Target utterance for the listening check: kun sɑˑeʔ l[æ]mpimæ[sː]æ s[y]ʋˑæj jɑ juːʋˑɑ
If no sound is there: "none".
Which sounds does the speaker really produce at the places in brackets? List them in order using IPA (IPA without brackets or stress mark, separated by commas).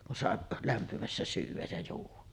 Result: æ, sː, yː